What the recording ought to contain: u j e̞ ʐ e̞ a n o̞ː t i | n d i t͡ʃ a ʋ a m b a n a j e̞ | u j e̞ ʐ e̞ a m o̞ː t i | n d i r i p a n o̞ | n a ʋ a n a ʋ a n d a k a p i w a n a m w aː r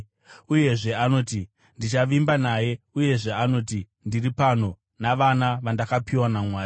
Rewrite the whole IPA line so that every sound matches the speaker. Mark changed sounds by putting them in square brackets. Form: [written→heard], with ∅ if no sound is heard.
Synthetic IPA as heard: u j e̞ ʐ e̞ a n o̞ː t i | n d i t͡ʃ a ʋ [a→i] m b a n a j e̞ | u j e̞ ʐ e̞ a [m→n] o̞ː t i | n d i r i p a n o̞ | n a ʋ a n a ʋ a n d a k a p i w a n a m w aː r

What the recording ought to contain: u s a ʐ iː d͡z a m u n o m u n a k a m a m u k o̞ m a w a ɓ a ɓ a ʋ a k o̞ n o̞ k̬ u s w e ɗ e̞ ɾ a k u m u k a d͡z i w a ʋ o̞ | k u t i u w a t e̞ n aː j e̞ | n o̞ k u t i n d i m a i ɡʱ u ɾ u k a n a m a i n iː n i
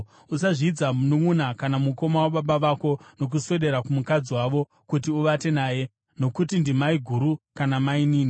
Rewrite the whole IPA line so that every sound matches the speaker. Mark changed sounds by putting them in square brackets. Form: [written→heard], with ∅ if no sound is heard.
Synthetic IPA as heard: u s a ʐ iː d͡z a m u n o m u n a k a [m→n] a m u k o̞ m a w a ɓ a ɓ a ʋ a k o̞ n o̞ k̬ u s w e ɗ e̞ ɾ a k u m u k a d͡z i w a ʋ o̞ | k u t i u [w→ʋ] a t e̞ n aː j e̞ | n o̞ k u t i n d i m a i ɡʱ u ɾ u k a n a m a i n iː n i

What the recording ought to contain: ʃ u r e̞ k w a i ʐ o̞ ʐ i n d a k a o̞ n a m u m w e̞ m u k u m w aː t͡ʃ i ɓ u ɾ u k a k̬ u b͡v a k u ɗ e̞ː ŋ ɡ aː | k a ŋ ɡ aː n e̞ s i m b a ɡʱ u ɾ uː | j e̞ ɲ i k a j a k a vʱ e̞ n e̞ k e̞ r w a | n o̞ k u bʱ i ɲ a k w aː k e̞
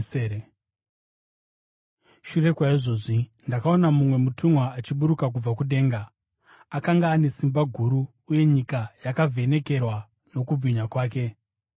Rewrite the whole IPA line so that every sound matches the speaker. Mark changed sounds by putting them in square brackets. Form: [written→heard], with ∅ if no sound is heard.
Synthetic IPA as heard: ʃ u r e̞ k w a i ʐ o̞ ʐ i n d a k a o̞ n a m u m w e̞ m u [k→t] u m w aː t͡ʃ i ɓ u ɾ u k a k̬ u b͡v a k u ɗ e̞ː ŋ ɡ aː | k a ŋ ɡ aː n e̞ s i m b a ɡʱ u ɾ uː | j e̞ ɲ i k a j a k a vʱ e̞ n e̞ k e̞ r w a | n o̞ k u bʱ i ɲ a k w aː k e̞

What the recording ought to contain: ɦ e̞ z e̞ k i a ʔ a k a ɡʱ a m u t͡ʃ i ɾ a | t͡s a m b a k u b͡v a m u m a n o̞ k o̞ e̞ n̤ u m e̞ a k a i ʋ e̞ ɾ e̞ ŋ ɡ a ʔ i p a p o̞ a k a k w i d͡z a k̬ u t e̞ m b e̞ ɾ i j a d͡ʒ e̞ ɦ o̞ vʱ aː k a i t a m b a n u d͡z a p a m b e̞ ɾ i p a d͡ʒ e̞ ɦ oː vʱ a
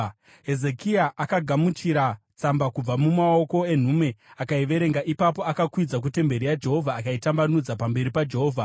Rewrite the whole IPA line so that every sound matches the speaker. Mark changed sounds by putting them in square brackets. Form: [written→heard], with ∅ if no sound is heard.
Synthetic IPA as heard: ɦ e̞ z e̞ k i a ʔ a k a ɡʱ a m u t͡ʃ i ɾ a | t͡s a m b a k u b͡v a m u m a [n→∅] o̞ k o̞ e̞ n̤ u m e̞ a k a i ʋ e̞ ɾ e̞ ŋ ɡ a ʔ i p a p o̞ a k a k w i d͡z a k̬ u t e̞ m b e̞ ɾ i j a d͡ʒ e̞ ɦ o̞ vʱ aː k a i t a m b a n u d͡z a p a m b e̞ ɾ i p a d͡ʒ e̞ ɦ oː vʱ a

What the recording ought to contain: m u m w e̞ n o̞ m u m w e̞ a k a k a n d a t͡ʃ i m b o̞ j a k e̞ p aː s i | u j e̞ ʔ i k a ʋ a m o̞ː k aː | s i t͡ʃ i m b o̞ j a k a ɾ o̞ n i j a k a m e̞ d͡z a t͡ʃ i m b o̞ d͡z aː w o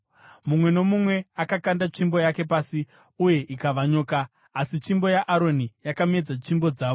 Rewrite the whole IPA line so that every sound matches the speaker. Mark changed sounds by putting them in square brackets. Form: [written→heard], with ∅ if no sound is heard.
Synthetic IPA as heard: m u m w e̞ n o̞ m u m w e̞ a k a k a n d a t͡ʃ i m b o̞ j a k e̞ p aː s i | u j e̞ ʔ i k a ʋ a [m→ɲ] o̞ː k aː | s i t͡ʃ i m b o̞ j a [k→ʔ] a ɾ o̞ n i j a k a m e̞ d͡z a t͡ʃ i m b o̞ d͡z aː [w→ʋ] o

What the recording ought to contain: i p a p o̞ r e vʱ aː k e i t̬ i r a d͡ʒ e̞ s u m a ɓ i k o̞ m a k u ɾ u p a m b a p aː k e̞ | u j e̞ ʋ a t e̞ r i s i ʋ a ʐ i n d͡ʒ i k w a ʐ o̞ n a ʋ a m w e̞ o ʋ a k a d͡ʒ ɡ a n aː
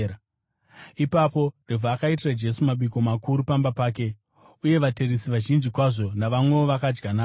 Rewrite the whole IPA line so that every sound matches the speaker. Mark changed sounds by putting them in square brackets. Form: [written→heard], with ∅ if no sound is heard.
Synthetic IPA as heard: i p a p o̞ r e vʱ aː k [e→a] i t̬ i r a d͡ʒ e̞ s u m a ɓ i k o̞ m a k u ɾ u p a m b a p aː k e̞ | u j e̞ ʋ a t e̞ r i s i ʋ a [ʐ→ʒ] i n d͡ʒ i k w a ʐ o̞ n a ʋ a m w e̞ o ʋ a k a d͡ʒ ɡ a n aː

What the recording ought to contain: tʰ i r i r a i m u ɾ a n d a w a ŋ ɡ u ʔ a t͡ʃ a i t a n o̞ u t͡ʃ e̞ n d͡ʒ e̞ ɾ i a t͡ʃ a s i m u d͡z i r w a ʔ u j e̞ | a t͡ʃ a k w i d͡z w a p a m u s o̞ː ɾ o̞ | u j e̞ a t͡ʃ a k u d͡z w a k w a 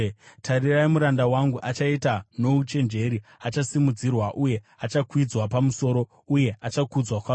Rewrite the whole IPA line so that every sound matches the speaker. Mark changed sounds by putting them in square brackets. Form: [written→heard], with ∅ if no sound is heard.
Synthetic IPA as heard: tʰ [i→a] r i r a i m u ɾ a n d a w a ŋ ɡ u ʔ a t͡ʃ a i t a n o̞ u t͡ʃ e̞ n d͡ʒ e̞ ɾ i a t͡ʃ a s i m u d͡z i r w a ʔ u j e̞ | a t͡ʃ a k w i d͡z w a p a m u s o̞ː ɾ o̞ | u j e̞ a t͡ʃ a k u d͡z w a k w a

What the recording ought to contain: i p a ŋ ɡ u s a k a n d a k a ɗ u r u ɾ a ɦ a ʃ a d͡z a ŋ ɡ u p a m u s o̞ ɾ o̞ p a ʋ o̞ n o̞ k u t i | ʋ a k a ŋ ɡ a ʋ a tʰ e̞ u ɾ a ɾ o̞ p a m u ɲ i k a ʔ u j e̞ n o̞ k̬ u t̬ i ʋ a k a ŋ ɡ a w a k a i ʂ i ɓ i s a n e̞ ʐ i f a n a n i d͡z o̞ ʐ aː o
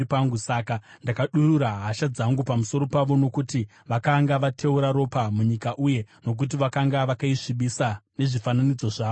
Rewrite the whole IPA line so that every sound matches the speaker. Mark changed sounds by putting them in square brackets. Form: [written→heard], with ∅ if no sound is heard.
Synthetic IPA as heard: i p a ŋ ɡ u s a k a n d a k a ɗ u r u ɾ a ɦ a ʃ a d͡z a ŋ ɡ u p a m u s o̞ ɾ o̞ p a ʋ o̞ n o̞ k u t i | ʋ a k a ŋ ɡ a ʋ a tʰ e̞ u ɾ a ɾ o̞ p a m u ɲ i k a ʔ u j e̞ n o̞ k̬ u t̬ i ʋ a k a ŋ ɡ a [w→ʋ] a k a i ʂ i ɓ i s a n e̞ ʐ i f a n a n i d͡z o̞ ʐ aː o

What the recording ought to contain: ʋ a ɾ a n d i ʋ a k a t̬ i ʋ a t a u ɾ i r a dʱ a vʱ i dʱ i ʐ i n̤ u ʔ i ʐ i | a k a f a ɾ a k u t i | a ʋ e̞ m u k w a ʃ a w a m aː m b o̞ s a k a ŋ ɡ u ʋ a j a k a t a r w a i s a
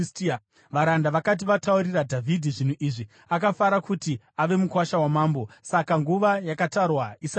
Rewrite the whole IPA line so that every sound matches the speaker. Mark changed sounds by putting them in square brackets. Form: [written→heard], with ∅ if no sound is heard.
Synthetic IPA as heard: ʋ a ɾ a n d [i→a] ʋ a k a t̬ i ʋ a t a u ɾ i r a dʱ a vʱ i dʱ i ʐ i n̤ u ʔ i ʐ i | a k a f a ɾ a k u t i | a ʋ e̞ m u k w a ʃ a w a m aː m b o̞ s a k a ŋ ɡ u ʋ a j a k a t a r w a i s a

